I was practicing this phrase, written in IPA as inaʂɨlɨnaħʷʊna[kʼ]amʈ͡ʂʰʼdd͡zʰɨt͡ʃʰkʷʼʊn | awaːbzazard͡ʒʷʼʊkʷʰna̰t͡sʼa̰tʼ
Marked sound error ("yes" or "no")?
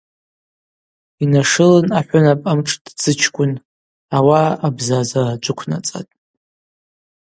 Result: yes